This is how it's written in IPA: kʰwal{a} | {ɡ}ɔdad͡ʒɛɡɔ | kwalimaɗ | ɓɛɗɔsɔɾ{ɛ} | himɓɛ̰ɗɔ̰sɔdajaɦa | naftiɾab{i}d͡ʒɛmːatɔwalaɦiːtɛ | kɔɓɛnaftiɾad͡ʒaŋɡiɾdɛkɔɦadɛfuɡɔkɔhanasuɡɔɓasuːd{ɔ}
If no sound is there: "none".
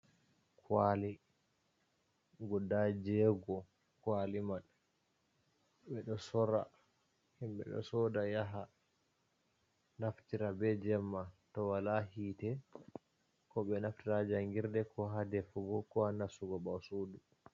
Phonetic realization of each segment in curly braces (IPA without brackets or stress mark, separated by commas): i, ɡ, a, ɛ, u